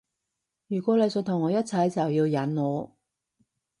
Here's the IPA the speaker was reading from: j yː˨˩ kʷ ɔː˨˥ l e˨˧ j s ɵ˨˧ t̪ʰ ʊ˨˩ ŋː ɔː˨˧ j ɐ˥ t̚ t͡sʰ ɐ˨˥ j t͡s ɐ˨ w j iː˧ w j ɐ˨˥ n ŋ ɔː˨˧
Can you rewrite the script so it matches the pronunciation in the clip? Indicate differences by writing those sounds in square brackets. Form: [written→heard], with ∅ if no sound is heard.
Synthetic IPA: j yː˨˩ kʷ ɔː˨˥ l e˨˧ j s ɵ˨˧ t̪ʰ ʊ˨˩ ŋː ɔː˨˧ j ɐ˥ t̚ t͡sʰ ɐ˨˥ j t͡s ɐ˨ w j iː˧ w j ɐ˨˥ n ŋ ɔː˨˧